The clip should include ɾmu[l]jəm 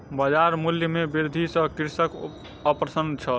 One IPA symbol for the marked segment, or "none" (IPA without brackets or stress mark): l